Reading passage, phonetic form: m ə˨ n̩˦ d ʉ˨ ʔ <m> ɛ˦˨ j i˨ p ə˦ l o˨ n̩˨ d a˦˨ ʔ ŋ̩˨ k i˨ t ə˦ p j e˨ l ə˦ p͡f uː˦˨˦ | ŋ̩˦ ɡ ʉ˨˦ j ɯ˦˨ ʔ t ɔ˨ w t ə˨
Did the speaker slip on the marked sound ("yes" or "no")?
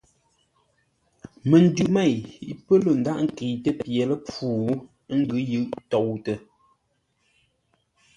no